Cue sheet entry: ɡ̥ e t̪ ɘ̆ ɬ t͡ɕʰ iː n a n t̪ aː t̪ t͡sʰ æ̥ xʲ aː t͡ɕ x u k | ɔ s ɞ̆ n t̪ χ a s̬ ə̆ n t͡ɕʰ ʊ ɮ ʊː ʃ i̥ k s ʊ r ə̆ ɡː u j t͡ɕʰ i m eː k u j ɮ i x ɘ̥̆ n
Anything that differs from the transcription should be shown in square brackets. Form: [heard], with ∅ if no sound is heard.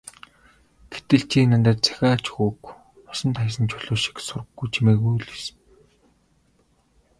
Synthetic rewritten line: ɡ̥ e t̪ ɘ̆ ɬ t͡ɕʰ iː n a n t̪ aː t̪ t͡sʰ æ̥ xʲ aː t͡ɕ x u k | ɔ s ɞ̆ n t̪ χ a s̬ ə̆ n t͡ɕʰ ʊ ɮ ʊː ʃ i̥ k s ʊ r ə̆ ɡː u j t͡ɕʰ i m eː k u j ɮ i [s] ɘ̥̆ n